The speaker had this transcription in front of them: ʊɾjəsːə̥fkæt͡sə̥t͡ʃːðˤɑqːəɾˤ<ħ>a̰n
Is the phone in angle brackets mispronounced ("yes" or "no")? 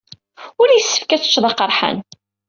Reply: no